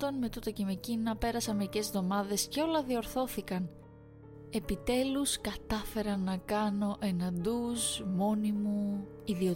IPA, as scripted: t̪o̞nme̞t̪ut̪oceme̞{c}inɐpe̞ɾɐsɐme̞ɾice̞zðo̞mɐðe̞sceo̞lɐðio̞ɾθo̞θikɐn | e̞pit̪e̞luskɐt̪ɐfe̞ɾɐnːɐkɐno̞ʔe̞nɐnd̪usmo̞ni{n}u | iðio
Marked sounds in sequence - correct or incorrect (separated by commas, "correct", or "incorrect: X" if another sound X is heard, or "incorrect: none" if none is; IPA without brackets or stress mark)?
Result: correct, incorrect: m